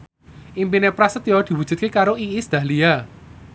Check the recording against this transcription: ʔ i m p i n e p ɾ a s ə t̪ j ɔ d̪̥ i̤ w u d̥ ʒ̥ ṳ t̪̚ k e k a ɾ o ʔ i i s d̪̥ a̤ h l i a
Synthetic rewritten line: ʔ i m p i n e p ɾ a s ə t̪ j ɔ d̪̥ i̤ w u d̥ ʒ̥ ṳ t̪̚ k e k a ɾ o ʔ i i s d̪̥ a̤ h l i a